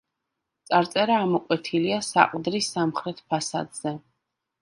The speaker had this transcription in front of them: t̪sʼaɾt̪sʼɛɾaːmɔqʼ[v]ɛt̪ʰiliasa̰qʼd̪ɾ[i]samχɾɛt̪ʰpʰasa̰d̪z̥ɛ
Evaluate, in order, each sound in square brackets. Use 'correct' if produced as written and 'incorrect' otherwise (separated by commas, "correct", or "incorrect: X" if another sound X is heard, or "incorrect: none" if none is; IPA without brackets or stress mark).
incorrect: w, correct